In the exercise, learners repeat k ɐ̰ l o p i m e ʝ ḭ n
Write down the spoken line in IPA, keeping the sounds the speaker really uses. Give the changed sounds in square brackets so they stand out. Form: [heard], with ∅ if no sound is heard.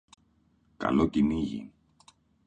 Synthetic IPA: k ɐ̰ l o [c] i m [i] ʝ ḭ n